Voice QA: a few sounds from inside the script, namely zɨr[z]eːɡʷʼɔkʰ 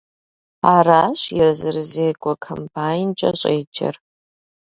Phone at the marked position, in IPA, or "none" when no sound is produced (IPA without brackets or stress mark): z